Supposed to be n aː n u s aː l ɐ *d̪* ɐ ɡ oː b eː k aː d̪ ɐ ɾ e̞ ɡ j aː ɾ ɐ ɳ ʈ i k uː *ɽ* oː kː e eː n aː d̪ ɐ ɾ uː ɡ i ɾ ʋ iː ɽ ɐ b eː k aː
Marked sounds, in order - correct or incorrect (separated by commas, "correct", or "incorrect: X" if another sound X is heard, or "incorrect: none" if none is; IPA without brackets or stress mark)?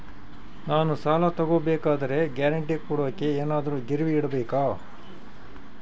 incorrect: t̪, correct